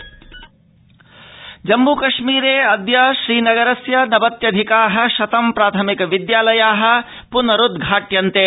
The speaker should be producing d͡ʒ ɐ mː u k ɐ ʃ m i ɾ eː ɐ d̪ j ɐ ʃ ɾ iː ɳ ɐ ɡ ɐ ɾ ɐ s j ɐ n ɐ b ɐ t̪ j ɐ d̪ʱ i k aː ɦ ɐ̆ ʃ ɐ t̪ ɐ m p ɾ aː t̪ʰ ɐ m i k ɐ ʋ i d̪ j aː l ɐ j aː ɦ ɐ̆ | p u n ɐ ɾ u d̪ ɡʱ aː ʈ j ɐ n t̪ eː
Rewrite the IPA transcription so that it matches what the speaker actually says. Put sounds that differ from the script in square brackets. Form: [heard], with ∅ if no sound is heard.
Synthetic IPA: d͡ʒ ɐ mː u k ɐ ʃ m [iː] ɾ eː ɐ d̪ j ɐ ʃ ɾ iː [n] ɐ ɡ ɐ ɾ ɐ s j ɐ n ɐ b ɐ t̪ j ɐ d̪ʱ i k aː ɦ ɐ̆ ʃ ɐ t̪ ɐ m p ɾ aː t̪ʰ ɐ m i k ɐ ʋ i d̪ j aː l ɐ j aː ɦ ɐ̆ | p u n ɐ ɾ u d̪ ɡʱ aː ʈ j ɐ n t̪ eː